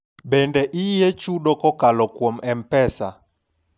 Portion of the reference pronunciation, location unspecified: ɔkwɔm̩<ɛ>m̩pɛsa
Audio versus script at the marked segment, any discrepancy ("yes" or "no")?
no